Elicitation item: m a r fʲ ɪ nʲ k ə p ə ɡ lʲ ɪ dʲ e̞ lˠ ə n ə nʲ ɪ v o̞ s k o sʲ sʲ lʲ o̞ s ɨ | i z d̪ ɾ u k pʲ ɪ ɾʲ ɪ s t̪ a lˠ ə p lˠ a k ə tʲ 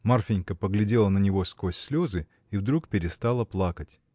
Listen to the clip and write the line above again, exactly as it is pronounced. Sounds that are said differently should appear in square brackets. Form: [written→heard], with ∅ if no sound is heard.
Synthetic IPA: m a r fʲ ɪ nʲ k ə p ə ɡ lʲ ɪ dʲ e̞ lˠ ə n ə nʲ ɪ v o̞ s k o sʲ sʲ lʲ o̞ [s→z] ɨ | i [z→v] d̪ ɾ u k pʲ ɪ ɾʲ ɪ s t̪ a lˠ ə p lˠ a k ə tʲ